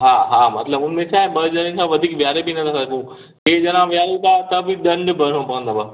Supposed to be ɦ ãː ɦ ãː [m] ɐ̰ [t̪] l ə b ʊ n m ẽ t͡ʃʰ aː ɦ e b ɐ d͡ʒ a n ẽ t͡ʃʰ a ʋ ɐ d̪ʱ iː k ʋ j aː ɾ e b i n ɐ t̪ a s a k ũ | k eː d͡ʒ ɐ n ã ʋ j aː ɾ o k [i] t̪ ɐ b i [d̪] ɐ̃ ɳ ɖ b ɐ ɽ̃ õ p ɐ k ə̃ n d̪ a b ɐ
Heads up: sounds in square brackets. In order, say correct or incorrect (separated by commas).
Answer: correct, correct, incorrect, correct